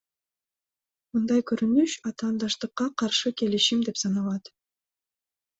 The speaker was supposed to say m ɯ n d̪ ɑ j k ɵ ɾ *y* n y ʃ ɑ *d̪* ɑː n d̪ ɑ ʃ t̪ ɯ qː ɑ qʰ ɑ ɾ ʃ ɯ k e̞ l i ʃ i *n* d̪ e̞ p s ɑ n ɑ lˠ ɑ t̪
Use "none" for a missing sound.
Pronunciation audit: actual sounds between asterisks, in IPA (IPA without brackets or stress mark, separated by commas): y, t̪, m